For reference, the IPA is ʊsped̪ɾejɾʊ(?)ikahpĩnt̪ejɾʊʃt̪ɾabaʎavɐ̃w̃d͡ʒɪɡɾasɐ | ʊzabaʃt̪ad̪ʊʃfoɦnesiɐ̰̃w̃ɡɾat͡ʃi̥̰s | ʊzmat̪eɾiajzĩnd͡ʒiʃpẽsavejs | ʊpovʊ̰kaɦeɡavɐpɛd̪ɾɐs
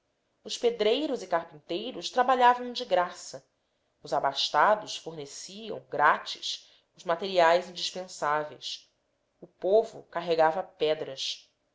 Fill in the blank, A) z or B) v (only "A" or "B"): A